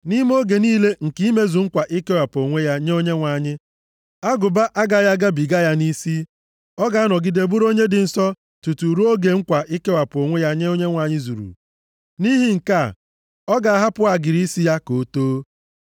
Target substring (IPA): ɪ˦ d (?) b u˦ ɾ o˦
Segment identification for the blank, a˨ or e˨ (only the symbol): e˨